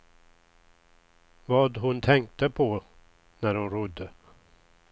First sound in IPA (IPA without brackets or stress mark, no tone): v